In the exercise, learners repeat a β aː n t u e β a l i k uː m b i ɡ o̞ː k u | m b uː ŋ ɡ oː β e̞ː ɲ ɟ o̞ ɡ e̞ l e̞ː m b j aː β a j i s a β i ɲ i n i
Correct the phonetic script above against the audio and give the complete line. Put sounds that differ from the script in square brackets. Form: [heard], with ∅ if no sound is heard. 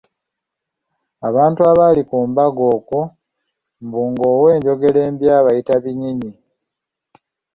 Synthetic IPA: a β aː n t u [a] β a l i k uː m b [a] ɡ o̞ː k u | m b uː ŋ ɡ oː [w] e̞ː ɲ ɟ o̞ ɡ e̞ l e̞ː m b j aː β a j i [t] a β i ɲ i [ɲ] i